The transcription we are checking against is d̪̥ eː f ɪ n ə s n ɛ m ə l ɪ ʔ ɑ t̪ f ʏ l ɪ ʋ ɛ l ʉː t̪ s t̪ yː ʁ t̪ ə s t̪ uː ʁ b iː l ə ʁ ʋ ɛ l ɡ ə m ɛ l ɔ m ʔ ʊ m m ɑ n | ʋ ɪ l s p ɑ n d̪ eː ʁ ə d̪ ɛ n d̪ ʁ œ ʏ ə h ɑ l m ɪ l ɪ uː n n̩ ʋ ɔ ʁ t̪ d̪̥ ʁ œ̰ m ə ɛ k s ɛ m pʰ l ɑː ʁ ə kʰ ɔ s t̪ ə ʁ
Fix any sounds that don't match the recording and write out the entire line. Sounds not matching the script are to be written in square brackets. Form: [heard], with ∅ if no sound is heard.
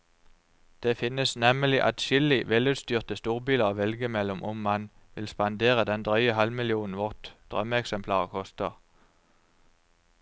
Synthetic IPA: d̪̥ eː f ɪ n ə s n ɛ m ə l ɪ ʔ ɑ t̪ [ʃ] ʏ l ɪ ʋ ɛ l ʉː t̪ s t̪ yː ʁ t̪ ə s t̪ uː ʁ b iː l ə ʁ ʋ ɛ l ɡ ə m ɛ l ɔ m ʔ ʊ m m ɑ n | ʋ ɪ l s p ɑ n d̪ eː ʁ ə d̪ ɛ n d̪ ʁ œ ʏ ə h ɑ l m ɪ l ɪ uː n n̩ ʋ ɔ ʁ t̪ d̪̥ ʁ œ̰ m ə ɛ k s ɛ m pʰ l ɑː ʁ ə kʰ ɔ s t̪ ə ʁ